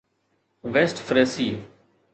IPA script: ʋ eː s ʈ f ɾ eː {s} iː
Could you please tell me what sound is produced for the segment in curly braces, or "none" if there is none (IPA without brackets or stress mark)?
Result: s